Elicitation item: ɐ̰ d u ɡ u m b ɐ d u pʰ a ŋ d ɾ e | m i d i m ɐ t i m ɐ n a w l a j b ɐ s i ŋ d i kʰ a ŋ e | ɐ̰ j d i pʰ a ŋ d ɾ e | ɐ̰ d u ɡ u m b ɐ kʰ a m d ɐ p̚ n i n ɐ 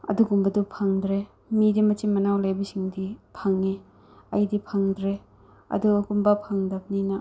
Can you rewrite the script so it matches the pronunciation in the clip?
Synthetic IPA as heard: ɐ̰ d u ɡ u m b ɐ d u pʰ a ŋ d ɾ e | m i d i m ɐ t i m ɐ n a w l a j b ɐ s i ŋ d i pʰ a ŋ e | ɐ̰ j d i pʰ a ŋ d ɾ e | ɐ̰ d u ɡ u m b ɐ pʰ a ŋ d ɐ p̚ n i n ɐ